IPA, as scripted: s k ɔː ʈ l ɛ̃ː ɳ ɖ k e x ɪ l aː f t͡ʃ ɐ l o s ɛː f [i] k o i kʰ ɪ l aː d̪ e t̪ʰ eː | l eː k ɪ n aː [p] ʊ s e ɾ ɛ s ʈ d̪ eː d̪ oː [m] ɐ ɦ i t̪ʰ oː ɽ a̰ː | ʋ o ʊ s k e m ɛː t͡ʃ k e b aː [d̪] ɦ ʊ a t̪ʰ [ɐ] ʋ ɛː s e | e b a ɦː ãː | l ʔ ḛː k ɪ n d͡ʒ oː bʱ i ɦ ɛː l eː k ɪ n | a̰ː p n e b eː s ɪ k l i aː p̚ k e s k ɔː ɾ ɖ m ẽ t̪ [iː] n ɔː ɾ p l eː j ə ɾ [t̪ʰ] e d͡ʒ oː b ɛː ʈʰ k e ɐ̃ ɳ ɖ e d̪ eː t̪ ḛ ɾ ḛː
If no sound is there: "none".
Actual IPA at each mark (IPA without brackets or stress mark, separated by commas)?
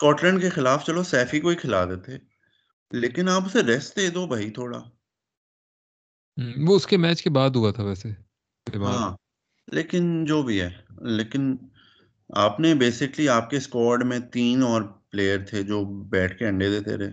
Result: i, p, b, d̪, a, iː, t̪ʰ